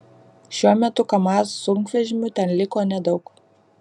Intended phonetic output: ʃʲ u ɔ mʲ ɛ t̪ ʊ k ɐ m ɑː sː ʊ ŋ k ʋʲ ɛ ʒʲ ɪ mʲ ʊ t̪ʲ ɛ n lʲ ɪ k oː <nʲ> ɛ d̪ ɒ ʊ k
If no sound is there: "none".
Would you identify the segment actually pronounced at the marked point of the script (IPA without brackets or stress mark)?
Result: nʲ